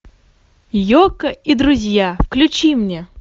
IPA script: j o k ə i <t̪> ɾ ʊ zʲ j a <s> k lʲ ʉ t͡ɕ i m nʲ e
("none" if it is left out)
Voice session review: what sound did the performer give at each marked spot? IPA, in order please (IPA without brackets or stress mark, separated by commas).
d̪, f